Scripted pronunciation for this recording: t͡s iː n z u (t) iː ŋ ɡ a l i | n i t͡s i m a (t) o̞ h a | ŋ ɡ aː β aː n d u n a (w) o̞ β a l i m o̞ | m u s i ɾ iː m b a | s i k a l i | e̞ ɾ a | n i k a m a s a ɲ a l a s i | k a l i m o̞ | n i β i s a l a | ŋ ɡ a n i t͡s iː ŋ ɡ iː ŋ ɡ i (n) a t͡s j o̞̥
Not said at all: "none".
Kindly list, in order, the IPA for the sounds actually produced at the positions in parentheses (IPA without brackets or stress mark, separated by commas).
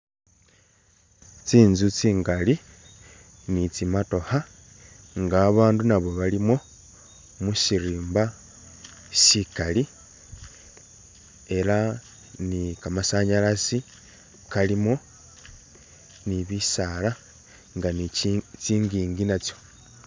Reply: t͡s, t, β, n